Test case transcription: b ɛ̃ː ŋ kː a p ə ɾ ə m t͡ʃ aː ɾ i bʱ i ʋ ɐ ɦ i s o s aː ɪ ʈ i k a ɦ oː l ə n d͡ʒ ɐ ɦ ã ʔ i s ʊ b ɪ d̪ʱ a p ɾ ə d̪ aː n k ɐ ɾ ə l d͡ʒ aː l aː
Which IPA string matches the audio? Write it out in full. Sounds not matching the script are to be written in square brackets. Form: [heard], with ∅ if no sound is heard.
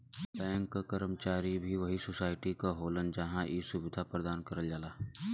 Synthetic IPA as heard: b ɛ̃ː ŋ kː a [k] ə ɾ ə m t͡ʃ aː ɾ i bʱ i ʋ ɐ ɦ i s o s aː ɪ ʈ i k a ɦ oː l ə n d͡ʒ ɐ ɦ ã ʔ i s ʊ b ɪ d̪ʱ a p ɾ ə d̪ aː n k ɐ ɾ ə l d͡ʒ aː l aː